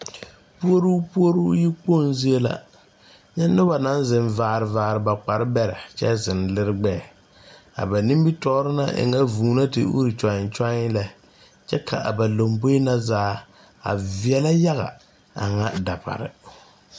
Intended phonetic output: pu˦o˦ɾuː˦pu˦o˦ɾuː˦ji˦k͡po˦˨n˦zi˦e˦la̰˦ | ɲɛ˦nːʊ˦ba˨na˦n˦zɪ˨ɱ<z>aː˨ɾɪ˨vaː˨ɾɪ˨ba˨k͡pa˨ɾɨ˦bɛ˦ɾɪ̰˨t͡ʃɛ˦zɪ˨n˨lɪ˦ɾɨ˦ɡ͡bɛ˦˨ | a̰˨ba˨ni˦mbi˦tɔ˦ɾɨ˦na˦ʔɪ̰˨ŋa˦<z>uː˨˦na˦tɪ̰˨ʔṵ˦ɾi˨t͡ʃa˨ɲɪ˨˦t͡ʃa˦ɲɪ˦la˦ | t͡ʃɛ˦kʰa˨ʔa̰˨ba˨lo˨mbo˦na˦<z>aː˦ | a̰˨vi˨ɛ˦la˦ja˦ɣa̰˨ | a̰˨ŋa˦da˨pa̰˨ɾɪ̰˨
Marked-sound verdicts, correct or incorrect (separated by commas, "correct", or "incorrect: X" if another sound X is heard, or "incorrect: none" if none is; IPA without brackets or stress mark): incorrect: v, incorrect: v, correct